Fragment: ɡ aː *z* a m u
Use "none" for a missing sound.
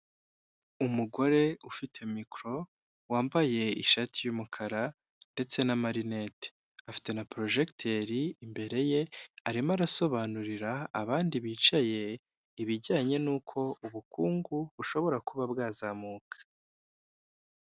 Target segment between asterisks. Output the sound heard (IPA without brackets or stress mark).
z